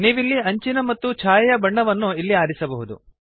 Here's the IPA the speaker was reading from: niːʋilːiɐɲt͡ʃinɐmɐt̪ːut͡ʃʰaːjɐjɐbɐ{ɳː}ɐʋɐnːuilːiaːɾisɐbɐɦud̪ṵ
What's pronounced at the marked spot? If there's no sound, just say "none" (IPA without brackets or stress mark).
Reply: ɳː